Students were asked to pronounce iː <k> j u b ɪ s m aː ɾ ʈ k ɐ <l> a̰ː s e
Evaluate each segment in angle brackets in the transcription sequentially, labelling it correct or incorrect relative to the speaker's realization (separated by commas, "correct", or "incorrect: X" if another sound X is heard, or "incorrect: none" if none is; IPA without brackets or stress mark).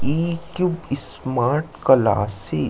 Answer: correct, correct